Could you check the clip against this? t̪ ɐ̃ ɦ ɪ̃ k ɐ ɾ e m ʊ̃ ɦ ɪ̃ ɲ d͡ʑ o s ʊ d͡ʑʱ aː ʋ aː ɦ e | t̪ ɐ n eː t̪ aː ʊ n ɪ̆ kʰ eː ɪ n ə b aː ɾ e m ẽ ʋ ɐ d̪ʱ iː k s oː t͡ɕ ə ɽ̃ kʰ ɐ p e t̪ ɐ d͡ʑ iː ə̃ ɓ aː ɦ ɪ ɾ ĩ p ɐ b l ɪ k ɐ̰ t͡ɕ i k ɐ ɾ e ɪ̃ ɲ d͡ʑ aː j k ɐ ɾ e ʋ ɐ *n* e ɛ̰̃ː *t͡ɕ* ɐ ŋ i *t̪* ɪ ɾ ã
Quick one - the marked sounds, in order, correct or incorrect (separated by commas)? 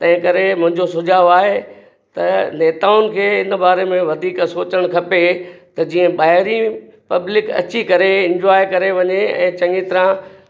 incorrect, correct, correct